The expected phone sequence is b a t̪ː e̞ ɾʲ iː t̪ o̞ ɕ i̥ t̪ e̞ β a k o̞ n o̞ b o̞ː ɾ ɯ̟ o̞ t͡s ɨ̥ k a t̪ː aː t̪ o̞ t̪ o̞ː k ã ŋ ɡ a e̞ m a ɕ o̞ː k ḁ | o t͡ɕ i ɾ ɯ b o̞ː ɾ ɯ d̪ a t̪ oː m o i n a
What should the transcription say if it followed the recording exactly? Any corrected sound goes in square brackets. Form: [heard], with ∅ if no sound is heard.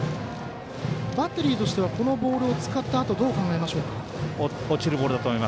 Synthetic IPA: b a t̪ː e̞ ɾʲ iː t̪ o̞ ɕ i̥ t̪ e̞ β a k o̞ n o̞ b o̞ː ɾ ɯ̟ o̞ t͡s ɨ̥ k a t̪ː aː t̪ o̞ [d̪] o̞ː k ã ŋ ɡ a e̞ m a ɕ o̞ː k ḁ | o t͡ɕ i ɾ ɯ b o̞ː ɾ ɯ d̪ a t̪ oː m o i [m] a